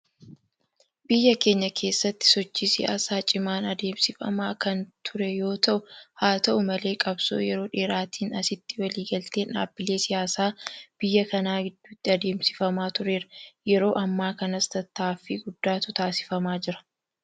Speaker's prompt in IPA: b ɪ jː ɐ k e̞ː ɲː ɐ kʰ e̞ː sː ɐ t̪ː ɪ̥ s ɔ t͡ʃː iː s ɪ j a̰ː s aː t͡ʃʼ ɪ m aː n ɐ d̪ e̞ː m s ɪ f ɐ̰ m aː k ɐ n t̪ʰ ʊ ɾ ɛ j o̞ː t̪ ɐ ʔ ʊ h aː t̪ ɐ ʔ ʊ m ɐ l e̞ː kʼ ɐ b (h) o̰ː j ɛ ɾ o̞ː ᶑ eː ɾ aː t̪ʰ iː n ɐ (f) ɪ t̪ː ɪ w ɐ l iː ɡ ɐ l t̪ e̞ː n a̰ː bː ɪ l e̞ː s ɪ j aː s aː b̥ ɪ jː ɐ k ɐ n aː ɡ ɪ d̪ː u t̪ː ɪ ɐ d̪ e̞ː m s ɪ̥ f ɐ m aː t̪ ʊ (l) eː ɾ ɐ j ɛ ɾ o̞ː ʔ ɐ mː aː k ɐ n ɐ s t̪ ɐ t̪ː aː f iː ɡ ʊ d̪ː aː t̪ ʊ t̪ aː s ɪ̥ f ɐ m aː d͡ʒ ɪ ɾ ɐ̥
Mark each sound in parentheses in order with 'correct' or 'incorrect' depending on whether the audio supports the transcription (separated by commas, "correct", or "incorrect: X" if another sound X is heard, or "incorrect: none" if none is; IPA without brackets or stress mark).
incorrect: s, incorrect: s, incorrect: ɾ